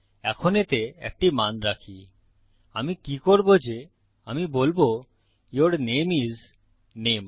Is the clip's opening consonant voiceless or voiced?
voiceless